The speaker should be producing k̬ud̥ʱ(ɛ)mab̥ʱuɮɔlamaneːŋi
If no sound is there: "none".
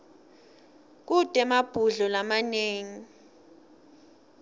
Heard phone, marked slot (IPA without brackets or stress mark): ɛ